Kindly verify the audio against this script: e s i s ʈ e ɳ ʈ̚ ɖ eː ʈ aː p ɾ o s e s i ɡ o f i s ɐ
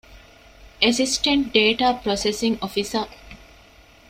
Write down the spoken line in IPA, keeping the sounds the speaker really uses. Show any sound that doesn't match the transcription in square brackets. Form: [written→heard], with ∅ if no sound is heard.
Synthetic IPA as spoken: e s i s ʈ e ɳ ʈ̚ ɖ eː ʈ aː p ɾ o s e s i [ɡ→ŋ] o f i s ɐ

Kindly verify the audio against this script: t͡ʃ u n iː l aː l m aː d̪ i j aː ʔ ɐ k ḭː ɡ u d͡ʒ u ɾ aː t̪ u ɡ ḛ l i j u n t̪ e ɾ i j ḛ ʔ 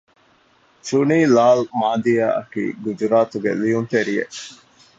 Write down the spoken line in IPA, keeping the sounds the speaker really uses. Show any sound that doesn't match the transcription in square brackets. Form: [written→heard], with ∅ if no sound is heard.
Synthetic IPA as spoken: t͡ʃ u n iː l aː l m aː d̪ i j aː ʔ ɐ k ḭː ɡ u d͡ʒ u ɾ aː t̪ u ɡ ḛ l i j u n t̪ e ɾ i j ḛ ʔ

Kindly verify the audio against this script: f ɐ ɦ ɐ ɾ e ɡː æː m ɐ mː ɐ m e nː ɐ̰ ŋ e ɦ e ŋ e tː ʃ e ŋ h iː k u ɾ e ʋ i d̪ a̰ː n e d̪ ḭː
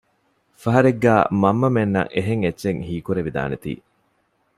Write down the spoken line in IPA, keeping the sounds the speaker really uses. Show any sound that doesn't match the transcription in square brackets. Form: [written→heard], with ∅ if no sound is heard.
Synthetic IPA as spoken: f ɐ ɦ ɐ ɾ e ɡː æː m ɐ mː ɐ m e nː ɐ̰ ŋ e ɦ e ŋ e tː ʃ e ŋ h iː k u ɾ e ʋ i d̪ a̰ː n e [d̪→t̪] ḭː

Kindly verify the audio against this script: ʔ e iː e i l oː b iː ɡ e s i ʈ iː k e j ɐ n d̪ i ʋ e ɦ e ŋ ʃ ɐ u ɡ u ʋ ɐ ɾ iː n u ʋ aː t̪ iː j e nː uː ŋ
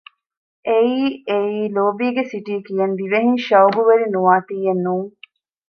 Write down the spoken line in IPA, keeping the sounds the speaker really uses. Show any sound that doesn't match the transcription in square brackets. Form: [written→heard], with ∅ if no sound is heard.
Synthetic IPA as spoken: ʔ e iː e [i→iː] l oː b iː ɡ e s i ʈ iː k [e→i] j ɐ n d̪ i ʋ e ɦ [e→i] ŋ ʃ ɐ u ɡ u ʋ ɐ ɾ [iː→i] n u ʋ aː t̪ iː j e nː uː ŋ

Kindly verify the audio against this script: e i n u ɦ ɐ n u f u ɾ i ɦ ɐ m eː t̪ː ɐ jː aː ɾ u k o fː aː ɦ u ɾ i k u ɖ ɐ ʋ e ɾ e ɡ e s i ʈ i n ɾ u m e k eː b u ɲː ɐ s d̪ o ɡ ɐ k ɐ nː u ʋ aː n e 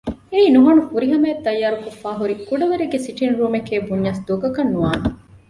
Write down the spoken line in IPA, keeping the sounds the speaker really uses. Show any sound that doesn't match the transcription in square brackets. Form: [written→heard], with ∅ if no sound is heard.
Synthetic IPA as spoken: e [i→iː] n u ɦ ɐ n u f u ɾ i ɦ ɐ m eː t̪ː ɐ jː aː ɾ u k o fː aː ɦ u ɾ i k u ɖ ɐ ʋ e ɾ e ɡ e s i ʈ i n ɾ [u→uː] m e k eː b u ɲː ɐ s d̪ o ɡ ɐ k ɐ nː u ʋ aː n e

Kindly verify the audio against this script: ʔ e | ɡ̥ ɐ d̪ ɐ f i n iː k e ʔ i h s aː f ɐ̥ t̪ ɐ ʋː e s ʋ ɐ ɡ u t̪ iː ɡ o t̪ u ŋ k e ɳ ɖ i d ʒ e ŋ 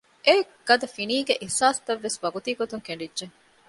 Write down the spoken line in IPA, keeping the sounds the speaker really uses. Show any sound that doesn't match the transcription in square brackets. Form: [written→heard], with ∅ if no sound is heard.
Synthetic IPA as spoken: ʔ e | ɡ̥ ɐ d̪ ɐ f i n iː [k→ɡ] e ʔ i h s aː [f→s] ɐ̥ t̪ ɐ ʋː e s ʋ ɐ ɡ u t̪ iː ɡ o t̪ u ŋ k e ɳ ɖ i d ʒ e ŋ

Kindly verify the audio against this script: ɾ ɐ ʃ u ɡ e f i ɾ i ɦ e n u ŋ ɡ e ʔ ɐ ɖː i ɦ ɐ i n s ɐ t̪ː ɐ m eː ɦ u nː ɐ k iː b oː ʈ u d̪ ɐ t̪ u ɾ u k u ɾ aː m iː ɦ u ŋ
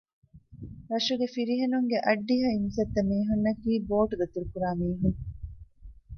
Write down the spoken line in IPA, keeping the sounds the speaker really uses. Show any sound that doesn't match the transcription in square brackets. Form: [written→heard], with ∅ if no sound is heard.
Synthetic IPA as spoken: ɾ ɐ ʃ u ɡ e f i ɾ i ɦ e n u ŋ ɡ e ʔ ɐ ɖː i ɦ ɐ i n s ɐ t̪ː ɐ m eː ɦ u nː ɐ k iː b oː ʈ u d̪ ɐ t̪ u ɾ u k u ɾ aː m iː ɦ u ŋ

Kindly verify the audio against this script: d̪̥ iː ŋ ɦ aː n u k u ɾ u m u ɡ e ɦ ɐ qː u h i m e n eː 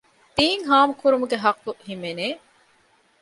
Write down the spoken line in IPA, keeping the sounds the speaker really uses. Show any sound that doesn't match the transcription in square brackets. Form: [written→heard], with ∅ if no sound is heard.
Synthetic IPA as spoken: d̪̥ iː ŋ ɦ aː [n→m] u k u ɾ u m u ɡ e ɦ ɐ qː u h i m e n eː

